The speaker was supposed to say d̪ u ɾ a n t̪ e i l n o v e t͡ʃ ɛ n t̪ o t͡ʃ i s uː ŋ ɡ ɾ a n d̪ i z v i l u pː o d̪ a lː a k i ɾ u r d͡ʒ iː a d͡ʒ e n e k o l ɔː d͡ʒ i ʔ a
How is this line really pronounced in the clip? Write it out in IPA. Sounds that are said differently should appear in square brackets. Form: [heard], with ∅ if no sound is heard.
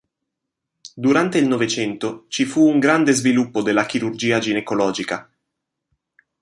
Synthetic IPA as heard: d̪ u ɾ a n t̪ e i l n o v e t͡ʃ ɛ n t̪ o t͡ʃ i [f] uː ŋ ɡ ɾ a n d̪ [e] z v i l u pː o d̪ [e] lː a k i ɾ u r d͡ʒ iː a d͡ʒ [i] n e k o l ɔː d͡ʒ i [k] a